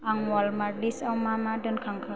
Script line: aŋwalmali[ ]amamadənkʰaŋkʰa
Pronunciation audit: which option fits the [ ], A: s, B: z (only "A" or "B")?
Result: A